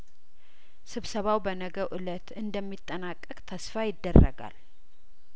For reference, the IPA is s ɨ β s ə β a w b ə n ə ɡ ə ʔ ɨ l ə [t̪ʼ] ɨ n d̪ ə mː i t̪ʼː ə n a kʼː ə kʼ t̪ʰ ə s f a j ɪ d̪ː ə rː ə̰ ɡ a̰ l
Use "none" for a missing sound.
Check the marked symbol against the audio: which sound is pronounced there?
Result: t̪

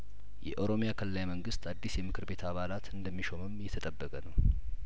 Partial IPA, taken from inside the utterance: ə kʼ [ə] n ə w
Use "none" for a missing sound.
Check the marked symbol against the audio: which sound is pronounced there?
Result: ə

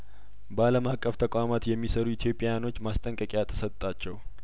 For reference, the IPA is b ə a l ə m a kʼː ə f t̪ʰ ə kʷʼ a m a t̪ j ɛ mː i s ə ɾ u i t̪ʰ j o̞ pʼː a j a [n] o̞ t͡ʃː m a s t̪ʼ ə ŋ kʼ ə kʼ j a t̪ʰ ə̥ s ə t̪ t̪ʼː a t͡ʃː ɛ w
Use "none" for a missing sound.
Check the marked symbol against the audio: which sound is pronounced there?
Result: n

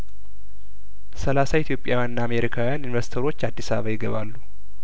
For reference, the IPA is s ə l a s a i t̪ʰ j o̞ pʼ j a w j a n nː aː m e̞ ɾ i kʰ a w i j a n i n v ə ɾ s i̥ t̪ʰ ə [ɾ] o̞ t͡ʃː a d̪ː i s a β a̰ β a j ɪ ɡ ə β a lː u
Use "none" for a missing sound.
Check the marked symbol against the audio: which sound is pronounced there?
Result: ɾ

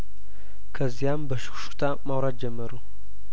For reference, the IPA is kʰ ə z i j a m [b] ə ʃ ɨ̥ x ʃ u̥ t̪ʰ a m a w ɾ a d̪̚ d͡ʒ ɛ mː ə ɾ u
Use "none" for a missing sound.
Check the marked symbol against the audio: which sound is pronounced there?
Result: b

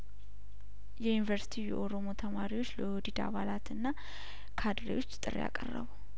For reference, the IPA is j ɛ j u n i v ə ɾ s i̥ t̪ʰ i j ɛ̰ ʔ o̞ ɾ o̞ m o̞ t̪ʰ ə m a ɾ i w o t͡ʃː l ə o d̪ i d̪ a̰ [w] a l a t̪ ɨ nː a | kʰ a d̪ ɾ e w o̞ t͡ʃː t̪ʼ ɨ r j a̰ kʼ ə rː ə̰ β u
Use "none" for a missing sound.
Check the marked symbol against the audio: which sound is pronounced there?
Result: β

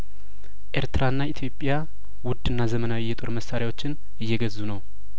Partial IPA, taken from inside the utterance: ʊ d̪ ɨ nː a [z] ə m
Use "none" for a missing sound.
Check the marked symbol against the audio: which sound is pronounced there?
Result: z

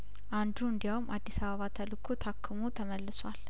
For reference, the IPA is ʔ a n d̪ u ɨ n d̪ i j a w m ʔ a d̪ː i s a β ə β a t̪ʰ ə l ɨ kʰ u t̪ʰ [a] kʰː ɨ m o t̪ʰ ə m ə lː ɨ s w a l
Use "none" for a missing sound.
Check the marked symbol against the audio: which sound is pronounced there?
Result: a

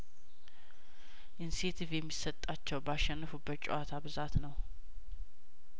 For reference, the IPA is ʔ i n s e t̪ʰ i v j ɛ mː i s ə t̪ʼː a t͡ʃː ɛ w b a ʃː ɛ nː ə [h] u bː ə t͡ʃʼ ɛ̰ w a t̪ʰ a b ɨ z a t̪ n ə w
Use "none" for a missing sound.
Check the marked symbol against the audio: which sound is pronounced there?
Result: f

